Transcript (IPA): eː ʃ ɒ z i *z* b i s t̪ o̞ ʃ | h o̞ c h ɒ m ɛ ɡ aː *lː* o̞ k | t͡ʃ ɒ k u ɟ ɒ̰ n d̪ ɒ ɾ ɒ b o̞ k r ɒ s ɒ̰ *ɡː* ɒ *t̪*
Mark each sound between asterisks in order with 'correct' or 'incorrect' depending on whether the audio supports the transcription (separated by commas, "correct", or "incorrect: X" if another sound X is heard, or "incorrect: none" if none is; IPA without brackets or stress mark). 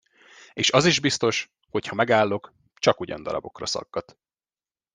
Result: incorrect: ʒ, correct, correct, correct